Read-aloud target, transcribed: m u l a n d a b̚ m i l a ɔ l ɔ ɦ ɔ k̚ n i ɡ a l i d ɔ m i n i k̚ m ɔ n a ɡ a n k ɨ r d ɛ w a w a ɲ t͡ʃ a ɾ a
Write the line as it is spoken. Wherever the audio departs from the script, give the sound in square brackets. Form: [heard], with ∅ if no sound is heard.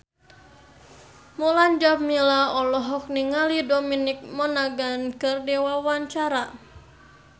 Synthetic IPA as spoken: m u l a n [d͡ʒ] a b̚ m i l a ɔ l ɔ ɦ ɔ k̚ n i [ŋ] a l i d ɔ m i n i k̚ m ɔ n a ɡ a n k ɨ r d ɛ w a w a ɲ t͡ʃ a ɾ a